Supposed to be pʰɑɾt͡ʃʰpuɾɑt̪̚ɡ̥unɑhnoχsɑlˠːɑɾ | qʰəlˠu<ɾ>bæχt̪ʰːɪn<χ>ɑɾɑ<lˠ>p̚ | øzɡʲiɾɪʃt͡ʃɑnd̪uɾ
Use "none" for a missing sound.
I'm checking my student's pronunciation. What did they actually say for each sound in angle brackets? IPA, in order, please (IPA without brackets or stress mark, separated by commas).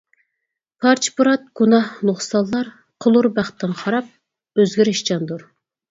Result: ɾ, χ, none